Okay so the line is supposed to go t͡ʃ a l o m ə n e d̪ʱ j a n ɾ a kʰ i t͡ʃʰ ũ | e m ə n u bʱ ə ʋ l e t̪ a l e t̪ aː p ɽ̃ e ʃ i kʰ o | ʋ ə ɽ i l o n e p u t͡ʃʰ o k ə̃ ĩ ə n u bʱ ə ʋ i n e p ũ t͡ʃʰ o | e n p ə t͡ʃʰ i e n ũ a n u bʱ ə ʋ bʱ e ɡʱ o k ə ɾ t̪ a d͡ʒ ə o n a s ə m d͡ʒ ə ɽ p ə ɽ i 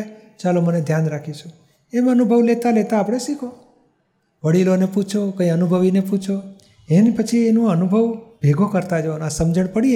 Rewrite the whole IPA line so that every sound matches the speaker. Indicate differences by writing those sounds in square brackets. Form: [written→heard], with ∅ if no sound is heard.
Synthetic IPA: t͡ʃ a l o m ə n e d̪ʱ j a n ɾ a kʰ i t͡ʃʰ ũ | e m ə n u bʱ ə ʋ l e t̪ a l e t̪ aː p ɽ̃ e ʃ i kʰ o | ʋ ə ɽ i l o n e p u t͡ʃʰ o k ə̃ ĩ ə n u bʱ ə ʋ i n e p [ũ→u] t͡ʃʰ o | e n p ə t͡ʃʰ i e n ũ [a→ə] n u bʱ ə ʋ bʱ e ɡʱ o k ə ɾ t̪ a d͡ʒ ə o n a s ə m d͡ʒ ə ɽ p ə ɽ i